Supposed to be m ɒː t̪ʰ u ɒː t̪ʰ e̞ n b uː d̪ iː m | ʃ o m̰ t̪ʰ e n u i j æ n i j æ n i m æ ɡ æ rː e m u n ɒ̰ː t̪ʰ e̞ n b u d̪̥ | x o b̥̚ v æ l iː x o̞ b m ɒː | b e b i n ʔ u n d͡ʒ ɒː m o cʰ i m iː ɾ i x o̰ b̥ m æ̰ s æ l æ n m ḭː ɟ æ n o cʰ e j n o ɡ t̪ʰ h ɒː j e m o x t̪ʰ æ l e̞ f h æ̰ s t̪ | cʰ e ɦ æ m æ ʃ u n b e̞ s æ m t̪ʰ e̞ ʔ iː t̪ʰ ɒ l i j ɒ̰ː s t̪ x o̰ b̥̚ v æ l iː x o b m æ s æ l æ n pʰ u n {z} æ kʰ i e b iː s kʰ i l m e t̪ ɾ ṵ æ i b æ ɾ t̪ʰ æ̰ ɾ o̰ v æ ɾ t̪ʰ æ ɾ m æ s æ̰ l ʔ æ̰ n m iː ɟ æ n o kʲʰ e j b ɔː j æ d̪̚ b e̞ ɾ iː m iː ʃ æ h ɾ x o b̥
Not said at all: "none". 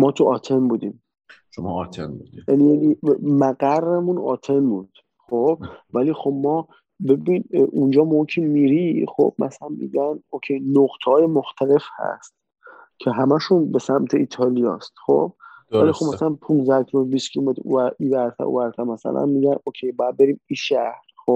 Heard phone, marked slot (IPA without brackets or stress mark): z